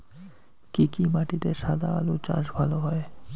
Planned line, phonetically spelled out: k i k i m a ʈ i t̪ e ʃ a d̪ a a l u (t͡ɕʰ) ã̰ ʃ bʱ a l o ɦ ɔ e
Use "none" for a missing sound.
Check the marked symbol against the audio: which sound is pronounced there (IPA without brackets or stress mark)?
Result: t͡ɕ